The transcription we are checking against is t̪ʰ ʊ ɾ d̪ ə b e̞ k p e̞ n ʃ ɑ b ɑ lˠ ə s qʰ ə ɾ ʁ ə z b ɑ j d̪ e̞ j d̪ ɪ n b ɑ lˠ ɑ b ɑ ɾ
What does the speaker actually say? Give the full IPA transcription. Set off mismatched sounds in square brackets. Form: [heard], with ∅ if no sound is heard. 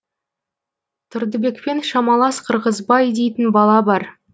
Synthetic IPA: t̪ʰ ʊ ɾ d̪ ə b e̞ k p e̞ n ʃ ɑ [m] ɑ lˠ [ɑ] s qʰ ə ɾ ʁ ə z b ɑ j d̪ e̞ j [t̪] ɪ n b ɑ lˠ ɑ b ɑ ɾ